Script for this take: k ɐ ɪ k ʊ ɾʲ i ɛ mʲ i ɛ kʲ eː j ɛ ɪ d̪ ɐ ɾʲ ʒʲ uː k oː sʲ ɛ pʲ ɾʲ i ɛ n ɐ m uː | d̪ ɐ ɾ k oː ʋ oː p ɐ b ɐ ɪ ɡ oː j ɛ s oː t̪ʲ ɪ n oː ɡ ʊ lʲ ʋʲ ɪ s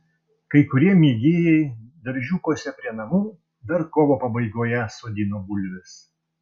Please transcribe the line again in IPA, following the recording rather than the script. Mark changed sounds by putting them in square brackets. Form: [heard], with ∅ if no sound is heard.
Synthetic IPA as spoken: k ɐ ɪ k ʊ ɾʲ i ɛ mʲ i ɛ [ɡʲ] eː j ɛ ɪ d̪ ɐ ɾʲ ʒʲ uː k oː sʲ ɛ pʲ ɾʲ i ɛ n ɐ m uː | d̪ ɐ ɾ k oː ʋ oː p ɐ b ɐ ɪ ɡ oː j ɛ s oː [d̪ʲ] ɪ n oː [b] ʊ lʲ ʋʲ ɪ s

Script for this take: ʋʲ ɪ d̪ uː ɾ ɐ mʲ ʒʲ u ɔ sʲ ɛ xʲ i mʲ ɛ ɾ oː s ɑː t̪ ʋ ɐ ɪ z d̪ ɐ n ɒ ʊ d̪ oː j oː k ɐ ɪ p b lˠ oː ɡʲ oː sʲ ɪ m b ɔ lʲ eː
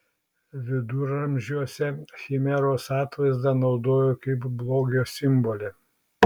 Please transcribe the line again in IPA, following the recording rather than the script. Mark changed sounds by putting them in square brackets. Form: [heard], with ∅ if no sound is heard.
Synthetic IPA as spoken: ʋʲ ɪ d̪ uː ɾ ɐ mʲ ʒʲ u ɔ sʲ ɛ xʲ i mʲ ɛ ɾ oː s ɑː t̪ ʋ ɐ ɪ z d̪ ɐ n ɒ ʊ d̪ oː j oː k ɐ ɪ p b lˠ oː ɡʲ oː sʲ ɪ m b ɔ lʲ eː

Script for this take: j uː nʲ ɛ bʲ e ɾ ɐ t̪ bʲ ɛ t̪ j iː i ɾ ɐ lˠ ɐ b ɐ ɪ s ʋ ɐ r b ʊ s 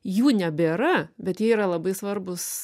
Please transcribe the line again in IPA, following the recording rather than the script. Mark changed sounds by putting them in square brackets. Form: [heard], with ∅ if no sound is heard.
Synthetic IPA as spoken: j uː nʲ ɛ bʲ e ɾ ɐ [∅] bʲ ɛ t̪ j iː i ɾ ɐ lˠ ɐ b ɐ ɪ s ʋ ɐ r b ʊ s

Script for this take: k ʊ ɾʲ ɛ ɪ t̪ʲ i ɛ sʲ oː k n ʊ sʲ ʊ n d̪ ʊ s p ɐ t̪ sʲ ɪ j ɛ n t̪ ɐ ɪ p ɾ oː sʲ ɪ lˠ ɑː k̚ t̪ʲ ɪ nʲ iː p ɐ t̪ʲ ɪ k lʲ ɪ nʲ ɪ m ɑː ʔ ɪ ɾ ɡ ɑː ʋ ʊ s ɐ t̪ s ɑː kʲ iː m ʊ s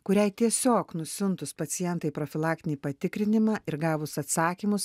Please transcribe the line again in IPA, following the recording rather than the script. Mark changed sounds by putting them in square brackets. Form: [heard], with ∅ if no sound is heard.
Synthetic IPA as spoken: k ʊ ɾʲ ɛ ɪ t̪ʲ i ɛ sʲ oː k n ʊ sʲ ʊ n [t̪] ʊ s p ɐ t̪ sʲ ɪ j ɛ n t̪ ɐ ɪ p ɾ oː [fʲ] ɪ lˠ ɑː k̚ t̪ʲ ɪ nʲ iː p ɐ t̪ʲ ɪ k [ɾʲ] ɪ nʲ ɪ m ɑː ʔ ɪ ɾ ɡ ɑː ʋ ʊ s ɐ t̪ s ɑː kʲ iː m ʊ s

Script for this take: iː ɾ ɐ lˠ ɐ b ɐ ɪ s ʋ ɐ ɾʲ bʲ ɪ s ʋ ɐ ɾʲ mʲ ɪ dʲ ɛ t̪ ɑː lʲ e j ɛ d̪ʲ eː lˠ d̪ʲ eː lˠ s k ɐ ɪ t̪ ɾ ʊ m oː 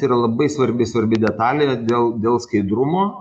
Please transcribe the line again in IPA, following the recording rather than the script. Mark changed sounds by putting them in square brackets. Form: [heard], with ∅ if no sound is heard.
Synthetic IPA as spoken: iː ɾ ɐ lˠ ɐ b ɐ ɪ s ʋ ɐ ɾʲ bʲ ɪ s ʋ ɐ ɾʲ [bʲ] ɪ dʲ ɛ t̪ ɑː lʲ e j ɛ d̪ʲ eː lˠ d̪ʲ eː lˠ s k ɐ ɪ [d̪] ɾ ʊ m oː

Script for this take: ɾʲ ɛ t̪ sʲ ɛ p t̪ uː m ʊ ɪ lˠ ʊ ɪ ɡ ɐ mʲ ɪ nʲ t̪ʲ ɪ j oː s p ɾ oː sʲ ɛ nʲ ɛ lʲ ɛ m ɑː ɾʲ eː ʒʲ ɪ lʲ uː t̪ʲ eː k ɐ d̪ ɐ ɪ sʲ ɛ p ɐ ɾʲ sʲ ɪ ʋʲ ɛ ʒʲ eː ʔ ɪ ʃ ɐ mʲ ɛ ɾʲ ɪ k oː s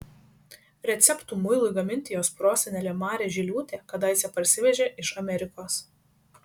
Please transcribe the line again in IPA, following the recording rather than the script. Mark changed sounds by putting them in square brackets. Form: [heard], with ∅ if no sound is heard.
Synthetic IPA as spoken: ɾʲ ɛ t̪ sʲ ɛ p t̪ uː m ʊ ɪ lˠ ʊ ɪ ɡ ɐ mʲ ɪ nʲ t̪ʲ ɪ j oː s p ɾ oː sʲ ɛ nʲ ɛ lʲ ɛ m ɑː ɾʲ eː ʒʲ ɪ lʲ uː t̪ʲ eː k ɐ d̪ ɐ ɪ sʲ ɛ p ɐ ɾʲ sʲ ɪ ʋʲ ɛ ʒʲ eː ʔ ɪ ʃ ɐ mʲ ɛ ɾʲ ɪ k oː s

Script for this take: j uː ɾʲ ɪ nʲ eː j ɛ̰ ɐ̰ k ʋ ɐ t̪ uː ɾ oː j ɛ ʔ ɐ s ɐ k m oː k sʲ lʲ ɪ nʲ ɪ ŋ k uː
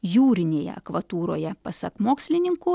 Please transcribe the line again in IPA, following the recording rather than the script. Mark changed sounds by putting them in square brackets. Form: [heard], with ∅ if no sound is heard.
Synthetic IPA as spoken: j uː ɾʲ ɪ nʲ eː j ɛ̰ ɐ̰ k ʋ ɐ t̪ uː ɾ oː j ɛ [p] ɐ s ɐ k m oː k sʲ lʲ ɪ nʲ ɪ ŋ k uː

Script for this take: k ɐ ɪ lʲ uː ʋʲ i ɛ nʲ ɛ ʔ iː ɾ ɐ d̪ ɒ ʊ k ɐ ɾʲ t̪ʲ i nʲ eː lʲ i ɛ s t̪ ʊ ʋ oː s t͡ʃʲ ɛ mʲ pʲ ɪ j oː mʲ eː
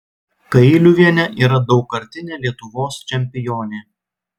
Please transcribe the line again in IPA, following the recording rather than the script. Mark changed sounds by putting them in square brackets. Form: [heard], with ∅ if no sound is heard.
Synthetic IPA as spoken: k ɐ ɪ lʲ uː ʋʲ i ɛ nʲ ɛ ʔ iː ɾ ɐ d̪ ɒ ʊ k ɐ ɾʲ t̪ʲ [ɪ] nʲ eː lʲ i ɛ [∅] t̪ ʊ ʋ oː s t͡ʃʲ ɛ mʲ pʲ ɪ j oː [nʲ] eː

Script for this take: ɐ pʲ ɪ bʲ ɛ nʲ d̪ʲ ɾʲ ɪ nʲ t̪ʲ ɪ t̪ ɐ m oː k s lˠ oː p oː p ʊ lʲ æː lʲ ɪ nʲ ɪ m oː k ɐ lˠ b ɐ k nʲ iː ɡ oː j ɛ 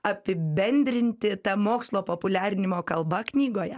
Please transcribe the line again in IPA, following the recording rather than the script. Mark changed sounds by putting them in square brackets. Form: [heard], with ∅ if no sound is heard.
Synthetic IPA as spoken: ɐ pʲ ɪ bʲ ɛ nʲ d̪ʲ ɾʲ ɪ nʲ t̪ʲ ɪ t̪ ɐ m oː k s lˠ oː p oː p ʊ lʲ æː [ɾʲ] ɪ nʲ ɪ m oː k ɐ lˠ b ɐ k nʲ iː ɡ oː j ɛ

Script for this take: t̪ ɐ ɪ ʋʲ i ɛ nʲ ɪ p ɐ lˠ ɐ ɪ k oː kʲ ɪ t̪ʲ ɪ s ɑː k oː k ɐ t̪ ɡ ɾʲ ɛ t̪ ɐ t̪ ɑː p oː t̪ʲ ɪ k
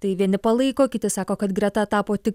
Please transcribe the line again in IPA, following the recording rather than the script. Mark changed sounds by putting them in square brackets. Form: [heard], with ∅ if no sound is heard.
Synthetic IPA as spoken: t̪ ɐ ɪ ʋʲ i ɛ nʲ ɪ p ɐ lˠ ɐ ɪ k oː kʲ ɪ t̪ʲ ɪ s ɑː k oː k ɐ t̪ ɡ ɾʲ ɛ t̪ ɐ t̪ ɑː p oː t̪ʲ ɪ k

